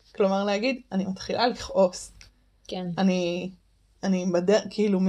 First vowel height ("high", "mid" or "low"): mid